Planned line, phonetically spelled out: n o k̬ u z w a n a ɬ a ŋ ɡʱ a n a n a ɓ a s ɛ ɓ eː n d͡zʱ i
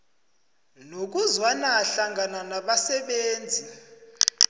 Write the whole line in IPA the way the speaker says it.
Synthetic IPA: n o k̬ u z w a n a ɬ a ŋ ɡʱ a n a n a ɓ a s ɛ ɓ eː n d͡zʱ i